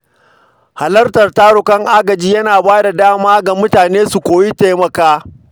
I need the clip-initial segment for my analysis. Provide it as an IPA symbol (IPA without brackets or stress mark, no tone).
h